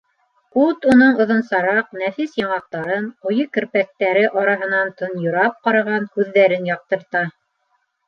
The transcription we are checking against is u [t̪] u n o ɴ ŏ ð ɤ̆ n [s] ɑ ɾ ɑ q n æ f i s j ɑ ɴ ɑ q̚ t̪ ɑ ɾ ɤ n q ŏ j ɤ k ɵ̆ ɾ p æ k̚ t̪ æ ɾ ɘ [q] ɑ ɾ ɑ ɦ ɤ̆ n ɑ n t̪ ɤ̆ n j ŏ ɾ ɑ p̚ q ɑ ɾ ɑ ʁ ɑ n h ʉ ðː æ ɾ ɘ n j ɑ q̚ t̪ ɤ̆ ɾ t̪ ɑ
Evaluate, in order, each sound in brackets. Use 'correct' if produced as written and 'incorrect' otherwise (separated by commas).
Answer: correct, correct, incorrect